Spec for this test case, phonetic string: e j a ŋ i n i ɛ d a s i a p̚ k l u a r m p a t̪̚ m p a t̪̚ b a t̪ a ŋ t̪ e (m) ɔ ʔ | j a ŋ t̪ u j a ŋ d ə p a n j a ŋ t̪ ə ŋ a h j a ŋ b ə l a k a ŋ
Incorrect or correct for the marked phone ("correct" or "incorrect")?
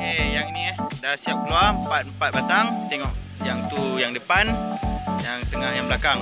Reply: incorrect